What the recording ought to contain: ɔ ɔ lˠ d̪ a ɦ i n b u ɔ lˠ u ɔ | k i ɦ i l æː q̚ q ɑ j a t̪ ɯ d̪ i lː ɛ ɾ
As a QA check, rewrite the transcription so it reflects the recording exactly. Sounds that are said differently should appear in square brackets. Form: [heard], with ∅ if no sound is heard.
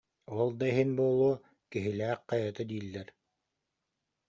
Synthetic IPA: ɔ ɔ lˠ d̪ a ɦ i n b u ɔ lˠ u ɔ | k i ɦ i l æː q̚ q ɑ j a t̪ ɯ d̪ [iː] lː ɛ ɾ